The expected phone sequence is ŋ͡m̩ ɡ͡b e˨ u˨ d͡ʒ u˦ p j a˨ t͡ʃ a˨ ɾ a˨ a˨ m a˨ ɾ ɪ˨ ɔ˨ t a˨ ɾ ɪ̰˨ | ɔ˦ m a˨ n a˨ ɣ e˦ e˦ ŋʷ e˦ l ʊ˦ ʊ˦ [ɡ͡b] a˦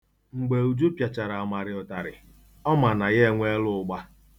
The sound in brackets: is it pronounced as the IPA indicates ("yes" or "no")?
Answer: yes